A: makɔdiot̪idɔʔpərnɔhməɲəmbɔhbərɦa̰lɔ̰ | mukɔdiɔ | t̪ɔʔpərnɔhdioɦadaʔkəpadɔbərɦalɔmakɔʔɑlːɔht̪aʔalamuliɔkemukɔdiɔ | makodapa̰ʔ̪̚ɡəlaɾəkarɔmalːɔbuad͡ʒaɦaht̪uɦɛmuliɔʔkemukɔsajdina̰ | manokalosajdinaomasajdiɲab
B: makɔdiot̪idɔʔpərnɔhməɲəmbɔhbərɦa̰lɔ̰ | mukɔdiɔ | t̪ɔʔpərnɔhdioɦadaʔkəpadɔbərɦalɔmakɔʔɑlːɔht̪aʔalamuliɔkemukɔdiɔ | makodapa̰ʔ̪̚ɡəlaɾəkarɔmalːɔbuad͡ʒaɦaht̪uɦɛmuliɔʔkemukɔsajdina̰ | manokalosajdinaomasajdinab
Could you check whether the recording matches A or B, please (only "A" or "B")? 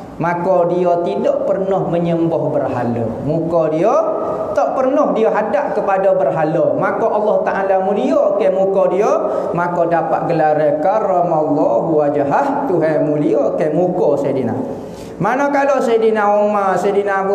B